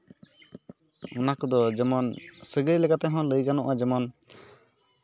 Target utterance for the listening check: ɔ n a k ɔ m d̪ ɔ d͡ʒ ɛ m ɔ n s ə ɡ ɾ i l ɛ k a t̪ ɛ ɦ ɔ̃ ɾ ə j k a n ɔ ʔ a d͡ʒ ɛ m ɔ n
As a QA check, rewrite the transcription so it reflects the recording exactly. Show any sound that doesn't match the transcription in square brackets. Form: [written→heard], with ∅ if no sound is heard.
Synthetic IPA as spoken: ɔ n a k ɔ [m→∅] d̪ ɔ d͡ʒ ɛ m ɔ n s ə ɡ ɾ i l ɛ k a t̪ ɛ ɦ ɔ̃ [ɾ→l] ə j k a n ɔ ʔ a d͡ʒ ɛ m ɔ n